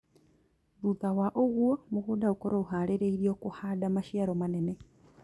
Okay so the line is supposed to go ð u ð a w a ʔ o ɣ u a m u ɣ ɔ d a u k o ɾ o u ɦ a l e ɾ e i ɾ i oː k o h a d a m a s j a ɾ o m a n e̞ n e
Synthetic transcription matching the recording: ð u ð a w a ʔ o ɣ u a m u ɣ u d a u k o ɾ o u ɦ a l e ɾ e i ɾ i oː k u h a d a m a ʃ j a ɾ o m a n e̞ n e